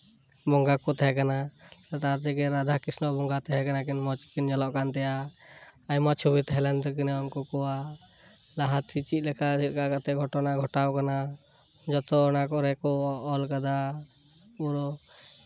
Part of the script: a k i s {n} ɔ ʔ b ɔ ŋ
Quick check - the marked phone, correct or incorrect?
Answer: correct